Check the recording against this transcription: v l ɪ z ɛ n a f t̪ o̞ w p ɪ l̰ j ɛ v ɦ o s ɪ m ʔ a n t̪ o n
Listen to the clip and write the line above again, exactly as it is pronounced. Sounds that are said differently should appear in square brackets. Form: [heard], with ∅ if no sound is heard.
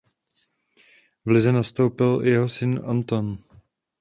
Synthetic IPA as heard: v l ɪ z ɛ n a [s] t̪ o̞ w p ɪ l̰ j ɛ [∅] ɦ o s ɪ [n] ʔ a n t̪ o n